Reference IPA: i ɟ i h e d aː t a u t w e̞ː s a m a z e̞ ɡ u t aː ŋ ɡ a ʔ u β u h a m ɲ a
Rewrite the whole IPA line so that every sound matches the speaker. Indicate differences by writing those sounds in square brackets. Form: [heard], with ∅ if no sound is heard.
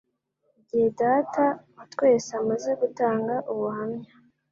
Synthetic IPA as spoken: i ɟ i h e d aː t a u t w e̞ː s a m a z e̞ ɡ u t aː ŋ ɡ a ʔ u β u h a m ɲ a